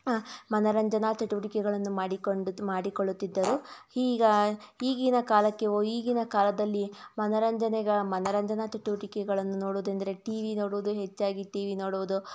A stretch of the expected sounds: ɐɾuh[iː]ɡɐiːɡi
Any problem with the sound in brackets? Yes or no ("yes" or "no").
no